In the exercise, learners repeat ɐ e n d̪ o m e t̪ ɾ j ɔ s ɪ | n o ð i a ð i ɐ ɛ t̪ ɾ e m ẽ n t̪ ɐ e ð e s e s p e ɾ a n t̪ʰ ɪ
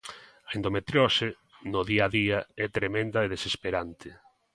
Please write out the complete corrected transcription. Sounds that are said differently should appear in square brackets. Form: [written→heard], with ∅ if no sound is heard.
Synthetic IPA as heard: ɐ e n d̪ o m e t̪ ɾ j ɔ s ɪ | n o ð i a ð i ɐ ɛ t̪ ɾ e m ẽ n [t̪→d̪] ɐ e ð e s e s p e ɾ a n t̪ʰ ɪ